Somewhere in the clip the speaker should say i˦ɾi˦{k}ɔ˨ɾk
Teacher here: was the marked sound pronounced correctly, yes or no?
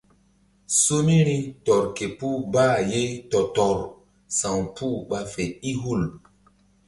no